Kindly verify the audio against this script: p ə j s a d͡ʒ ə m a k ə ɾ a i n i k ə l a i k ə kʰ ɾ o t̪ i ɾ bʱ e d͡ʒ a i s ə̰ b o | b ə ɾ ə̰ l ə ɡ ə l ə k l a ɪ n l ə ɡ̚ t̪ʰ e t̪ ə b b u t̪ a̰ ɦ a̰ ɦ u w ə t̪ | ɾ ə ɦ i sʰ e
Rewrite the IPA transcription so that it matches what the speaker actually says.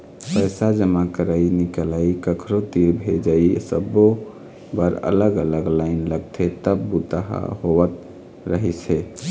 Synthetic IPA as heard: p ə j s a d͡ʒ ə m a k ə ɾ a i n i k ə l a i k ə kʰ ɾ o t̪ i ɾ bʱ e d͡ʒ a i s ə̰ b o | b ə ɾ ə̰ l ə ɡ ə l ə ɡ l a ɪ n l ə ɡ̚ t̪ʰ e t̪ ə b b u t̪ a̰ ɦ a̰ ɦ o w ə t̪ | ɾ ə ɦ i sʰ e